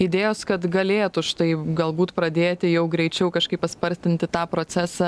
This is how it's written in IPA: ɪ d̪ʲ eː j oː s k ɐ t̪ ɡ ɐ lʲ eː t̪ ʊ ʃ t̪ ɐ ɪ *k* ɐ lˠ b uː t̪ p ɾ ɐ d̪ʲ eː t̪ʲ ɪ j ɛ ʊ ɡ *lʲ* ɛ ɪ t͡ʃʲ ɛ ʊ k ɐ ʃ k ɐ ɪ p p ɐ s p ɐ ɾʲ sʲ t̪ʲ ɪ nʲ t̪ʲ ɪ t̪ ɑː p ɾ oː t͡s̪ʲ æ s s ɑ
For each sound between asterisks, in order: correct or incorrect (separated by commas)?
incorrect, incorrect